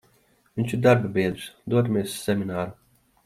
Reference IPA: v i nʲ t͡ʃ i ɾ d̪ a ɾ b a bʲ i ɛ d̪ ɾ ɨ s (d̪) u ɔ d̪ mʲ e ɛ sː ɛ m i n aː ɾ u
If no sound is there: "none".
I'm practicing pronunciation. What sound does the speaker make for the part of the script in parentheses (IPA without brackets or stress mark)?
d̪